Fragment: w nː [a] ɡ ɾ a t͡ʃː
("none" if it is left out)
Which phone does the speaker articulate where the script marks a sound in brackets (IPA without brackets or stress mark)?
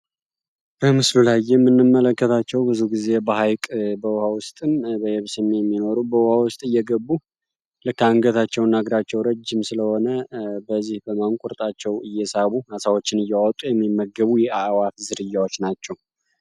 a